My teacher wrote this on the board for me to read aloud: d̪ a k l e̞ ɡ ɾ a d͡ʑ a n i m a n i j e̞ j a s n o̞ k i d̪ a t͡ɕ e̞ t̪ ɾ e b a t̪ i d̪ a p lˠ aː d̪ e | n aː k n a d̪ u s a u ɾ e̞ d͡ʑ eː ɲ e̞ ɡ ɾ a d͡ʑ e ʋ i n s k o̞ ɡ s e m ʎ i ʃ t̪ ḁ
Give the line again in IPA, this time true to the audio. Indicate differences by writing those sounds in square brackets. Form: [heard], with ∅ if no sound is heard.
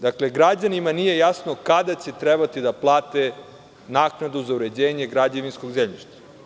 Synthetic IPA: d̪ a k l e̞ ɡ ɾ a d͡ʑ a n i m a n i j e̞ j a s n o̞ k [a] d̪ a t͡ɕ e̞ t̪ ɾ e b a t̪ i d̪ a p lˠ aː [t̪] e | n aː k n a d̪ u [z] a u ɾ e̞ d͡ʑ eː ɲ e̞ ɡ ɾ a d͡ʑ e ʋ i n s k o̞ ɡ [z] e m ʎ i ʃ t̪ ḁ